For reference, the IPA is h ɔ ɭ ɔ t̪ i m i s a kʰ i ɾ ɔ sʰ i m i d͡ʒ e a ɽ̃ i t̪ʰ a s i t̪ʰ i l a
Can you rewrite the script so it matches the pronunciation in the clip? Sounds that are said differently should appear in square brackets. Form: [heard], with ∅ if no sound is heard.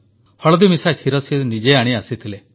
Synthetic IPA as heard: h ɔ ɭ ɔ [d̪] i m i s a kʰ i ɾ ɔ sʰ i [n] i d͡ʒ e a ɽ̃ i [∅] a s i t̪ʰ i l [e]